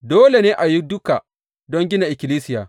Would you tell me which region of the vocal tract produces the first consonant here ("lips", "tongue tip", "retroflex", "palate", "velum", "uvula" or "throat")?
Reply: tongue tip